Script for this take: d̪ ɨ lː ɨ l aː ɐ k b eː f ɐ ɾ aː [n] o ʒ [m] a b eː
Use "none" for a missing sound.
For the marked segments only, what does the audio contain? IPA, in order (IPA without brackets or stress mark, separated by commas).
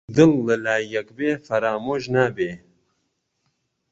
m, n